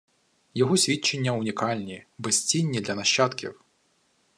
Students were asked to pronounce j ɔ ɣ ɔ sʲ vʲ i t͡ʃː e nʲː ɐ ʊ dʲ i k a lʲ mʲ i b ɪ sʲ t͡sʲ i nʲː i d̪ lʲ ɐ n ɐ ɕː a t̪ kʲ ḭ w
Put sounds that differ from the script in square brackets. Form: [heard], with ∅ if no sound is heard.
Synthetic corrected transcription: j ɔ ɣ ɔ sʲ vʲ i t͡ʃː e nʲː ɐ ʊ [nʲ] i k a lʲ [nʲ] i b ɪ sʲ t͡sʲ i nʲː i d̪ lʲ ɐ n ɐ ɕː a t̪ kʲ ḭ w